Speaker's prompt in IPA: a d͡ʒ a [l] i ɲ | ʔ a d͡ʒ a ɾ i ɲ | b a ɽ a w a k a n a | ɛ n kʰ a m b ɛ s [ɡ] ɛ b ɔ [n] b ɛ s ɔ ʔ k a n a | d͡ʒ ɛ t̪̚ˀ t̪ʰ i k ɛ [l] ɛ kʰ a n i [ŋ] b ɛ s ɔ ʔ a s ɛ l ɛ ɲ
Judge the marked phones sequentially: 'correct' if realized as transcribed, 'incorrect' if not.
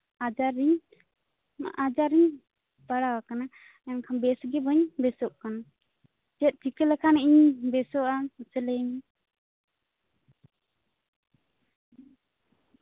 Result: incorrect, correct, incorrect, correct, incorrect

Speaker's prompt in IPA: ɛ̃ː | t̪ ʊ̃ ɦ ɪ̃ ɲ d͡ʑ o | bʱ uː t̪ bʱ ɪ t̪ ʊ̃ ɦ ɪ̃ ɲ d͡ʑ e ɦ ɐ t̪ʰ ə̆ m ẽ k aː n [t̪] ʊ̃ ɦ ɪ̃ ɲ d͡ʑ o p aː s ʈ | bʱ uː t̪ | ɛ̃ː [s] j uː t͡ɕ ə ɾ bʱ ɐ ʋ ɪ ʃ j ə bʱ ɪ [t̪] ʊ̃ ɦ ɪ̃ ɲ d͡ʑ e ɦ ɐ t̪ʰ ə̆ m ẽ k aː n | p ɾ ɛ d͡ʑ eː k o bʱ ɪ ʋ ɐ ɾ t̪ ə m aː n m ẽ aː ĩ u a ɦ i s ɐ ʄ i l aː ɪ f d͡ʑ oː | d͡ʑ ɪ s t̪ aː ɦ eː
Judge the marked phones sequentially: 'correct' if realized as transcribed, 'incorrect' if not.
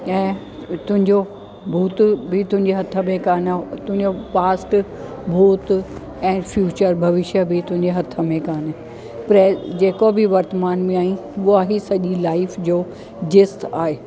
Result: correct, incorrect, correct

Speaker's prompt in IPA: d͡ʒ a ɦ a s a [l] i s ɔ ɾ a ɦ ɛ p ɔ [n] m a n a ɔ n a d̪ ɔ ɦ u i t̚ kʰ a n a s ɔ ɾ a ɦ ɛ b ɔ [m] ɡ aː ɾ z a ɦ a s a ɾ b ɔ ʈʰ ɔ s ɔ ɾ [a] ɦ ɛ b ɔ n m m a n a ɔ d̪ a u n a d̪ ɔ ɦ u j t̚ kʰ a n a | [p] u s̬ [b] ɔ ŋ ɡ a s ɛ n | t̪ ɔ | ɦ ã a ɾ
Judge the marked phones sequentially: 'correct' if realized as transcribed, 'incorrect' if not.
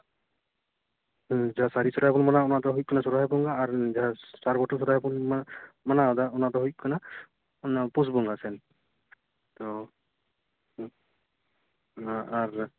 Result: incorrect, correct, incorrect, correct, correct, correct

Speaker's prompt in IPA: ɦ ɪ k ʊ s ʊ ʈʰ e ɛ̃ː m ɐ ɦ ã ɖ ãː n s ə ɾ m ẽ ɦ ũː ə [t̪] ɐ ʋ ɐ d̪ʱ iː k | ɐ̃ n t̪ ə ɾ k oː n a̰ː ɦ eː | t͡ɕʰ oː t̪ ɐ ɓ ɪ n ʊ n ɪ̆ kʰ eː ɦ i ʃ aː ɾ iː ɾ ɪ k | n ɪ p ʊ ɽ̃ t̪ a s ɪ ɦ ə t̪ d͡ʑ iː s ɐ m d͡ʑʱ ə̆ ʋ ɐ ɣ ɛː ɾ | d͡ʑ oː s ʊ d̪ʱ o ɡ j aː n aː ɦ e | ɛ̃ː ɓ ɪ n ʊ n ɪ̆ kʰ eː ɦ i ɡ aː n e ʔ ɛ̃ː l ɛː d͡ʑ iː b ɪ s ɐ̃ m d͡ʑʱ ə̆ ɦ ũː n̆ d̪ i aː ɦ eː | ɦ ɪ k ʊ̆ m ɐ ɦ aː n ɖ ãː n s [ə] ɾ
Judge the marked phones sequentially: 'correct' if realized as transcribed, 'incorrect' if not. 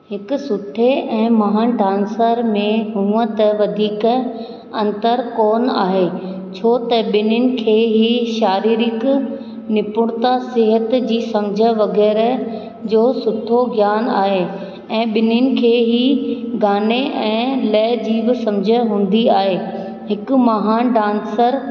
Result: correct, correct

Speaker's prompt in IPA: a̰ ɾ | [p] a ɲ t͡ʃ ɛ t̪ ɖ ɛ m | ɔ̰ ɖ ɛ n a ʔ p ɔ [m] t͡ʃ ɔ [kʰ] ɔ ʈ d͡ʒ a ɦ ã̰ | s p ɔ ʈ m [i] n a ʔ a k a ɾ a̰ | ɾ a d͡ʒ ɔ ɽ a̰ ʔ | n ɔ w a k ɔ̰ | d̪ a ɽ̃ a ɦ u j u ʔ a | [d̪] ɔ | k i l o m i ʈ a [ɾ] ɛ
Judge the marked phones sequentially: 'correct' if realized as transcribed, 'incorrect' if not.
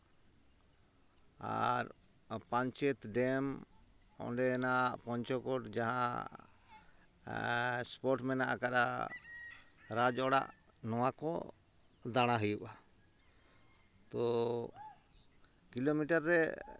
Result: correct, incorrect, incorrect, incorrect, incorrect, incorrect

